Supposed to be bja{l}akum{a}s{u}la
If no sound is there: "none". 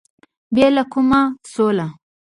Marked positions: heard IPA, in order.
l, a, o

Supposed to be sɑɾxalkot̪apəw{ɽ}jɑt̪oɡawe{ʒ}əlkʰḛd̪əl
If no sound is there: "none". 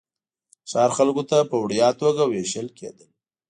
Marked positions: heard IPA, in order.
ɽ, ʃ

